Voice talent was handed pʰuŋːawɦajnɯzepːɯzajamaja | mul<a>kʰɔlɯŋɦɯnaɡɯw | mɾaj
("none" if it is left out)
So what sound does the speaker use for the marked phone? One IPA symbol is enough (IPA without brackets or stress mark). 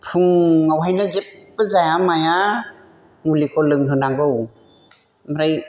i